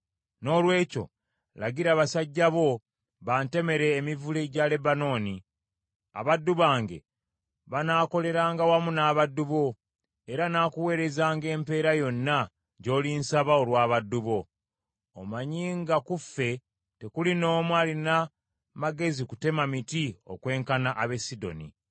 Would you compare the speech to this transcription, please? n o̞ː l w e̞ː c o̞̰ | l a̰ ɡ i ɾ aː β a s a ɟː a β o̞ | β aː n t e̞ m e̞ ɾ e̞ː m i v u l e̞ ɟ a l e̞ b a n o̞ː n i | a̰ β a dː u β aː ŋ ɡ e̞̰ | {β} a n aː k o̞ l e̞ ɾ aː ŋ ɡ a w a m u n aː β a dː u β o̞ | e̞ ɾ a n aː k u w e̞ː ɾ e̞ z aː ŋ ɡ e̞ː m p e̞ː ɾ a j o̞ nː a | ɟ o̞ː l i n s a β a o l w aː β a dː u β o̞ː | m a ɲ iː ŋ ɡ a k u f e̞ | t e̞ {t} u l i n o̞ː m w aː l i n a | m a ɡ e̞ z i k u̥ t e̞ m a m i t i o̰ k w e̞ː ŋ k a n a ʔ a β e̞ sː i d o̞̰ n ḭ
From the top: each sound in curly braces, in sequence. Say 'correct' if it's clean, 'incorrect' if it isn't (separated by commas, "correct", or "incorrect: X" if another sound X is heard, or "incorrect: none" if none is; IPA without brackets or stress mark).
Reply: correct, incorrect: k